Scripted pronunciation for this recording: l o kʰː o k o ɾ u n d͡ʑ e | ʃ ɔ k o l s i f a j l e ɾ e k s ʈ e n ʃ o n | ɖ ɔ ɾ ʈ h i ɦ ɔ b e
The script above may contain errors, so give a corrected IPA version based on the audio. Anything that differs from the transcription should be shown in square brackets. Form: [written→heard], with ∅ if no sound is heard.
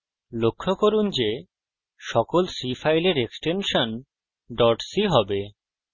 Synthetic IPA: l o kʰː o k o ɾ u n d͡ʑ e | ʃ ɔ k o l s i f a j l e ɾ e k s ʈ e n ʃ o n | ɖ ɔ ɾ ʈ [h→s] i ɦ ɔ b e